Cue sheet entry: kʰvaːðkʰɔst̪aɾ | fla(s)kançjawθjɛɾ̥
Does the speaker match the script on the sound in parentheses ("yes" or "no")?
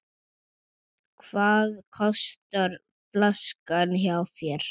yes